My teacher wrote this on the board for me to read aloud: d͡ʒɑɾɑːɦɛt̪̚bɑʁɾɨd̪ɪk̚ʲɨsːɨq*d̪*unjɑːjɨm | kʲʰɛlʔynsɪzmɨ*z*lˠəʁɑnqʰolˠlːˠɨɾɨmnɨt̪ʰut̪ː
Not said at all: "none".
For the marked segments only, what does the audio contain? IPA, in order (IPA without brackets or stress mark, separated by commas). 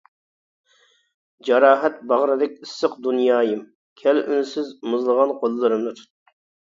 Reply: d̪, z